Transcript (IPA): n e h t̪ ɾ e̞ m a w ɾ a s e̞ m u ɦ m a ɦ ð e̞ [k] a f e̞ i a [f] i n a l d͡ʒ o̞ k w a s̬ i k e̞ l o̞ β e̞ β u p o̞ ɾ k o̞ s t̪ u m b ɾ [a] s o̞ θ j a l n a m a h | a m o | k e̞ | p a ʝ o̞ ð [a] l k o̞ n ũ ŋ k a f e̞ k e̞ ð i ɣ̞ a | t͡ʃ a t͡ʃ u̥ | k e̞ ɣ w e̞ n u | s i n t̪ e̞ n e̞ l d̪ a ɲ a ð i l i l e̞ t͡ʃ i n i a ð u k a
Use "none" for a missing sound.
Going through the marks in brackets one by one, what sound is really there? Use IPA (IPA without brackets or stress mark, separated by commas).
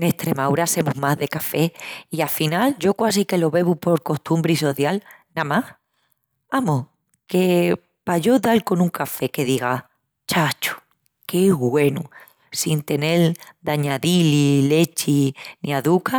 k, f, i, a